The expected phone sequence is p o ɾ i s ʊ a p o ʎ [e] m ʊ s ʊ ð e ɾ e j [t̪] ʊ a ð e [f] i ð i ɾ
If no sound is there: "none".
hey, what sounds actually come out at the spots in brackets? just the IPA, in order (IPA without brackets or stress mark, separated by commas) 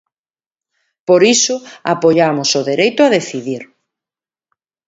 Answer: a, t̪, θ